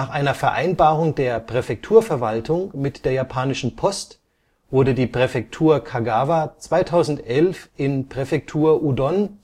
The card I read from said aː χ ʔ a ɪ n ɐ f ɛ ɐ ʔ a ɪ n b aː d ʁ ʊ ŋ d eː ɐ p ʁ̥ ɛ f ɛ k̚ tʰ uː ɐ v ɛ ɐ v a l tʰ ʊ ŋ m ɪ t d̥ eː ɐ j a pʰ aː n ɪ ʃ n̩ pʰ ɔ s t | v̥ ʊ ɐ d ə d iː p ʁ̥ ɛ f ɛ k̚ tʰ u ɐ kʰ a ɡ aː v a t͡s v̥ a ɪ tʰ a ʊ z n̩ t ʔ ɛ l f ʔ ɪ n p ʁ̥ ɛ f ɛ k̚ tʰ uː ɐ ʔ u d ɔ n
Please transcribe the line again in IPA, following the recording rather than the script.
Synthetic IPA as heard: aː χ ʔ a ɪ n ɐ f ɛ ɐ ʔ a ɪ n b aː ʁ ʊ ŋ d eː ɐ p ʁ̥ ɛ f ɛ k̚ tʰ uː ɐ f ɛ ɐ v a l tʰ ʊ ŋ m ɪ t d̥ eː ɐ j a pʰ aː n ɪ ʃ n̩ pʰ ɔ s t | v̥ ʊ ɐ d ə d iː p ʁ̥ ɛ f ɛ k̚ tʰ uː ɐ kʰ a ɡ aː v a t͡s v̥ a ɪ tʰ a ʊ z n̩ t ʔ ɛ l f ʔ ɪ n p ʁ̥ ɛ f ɛ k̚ tʰ uː ɐ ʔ u d ɔ n